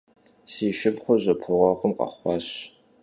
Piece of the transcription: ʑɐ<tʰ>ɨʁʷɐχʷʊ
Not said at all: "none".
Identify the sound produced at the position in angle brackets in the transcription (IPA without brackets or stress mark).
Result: pʰ